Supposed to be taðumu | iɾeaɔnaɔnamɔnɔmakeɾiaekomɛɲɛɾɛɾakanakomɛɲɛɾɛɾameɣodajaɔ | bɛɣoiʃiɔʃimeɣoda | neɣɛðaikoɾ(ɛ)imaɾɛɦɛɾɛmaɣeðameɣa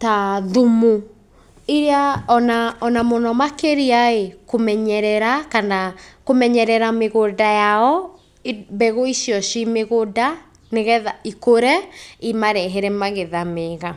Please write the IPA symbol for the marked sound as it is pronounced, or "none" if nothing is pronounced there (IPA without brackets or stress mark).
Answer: ɛ